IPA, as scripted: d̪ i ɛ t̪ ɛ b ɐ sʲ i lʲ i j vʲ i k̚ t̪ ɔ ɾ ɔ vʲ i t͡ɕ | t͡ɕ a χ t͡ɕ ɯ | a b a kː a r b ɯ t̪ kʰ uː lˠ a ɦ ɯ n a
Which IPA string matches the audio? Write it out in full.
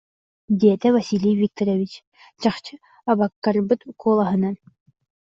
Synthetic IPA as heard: d̪ i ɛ t̪ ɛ v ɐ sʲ i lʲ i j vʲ i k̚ t̪ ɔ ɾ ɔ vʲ i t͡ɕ | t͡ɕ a χ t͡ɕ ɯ | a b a kː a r b ɯ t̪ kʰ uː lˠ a ɦ ɯ n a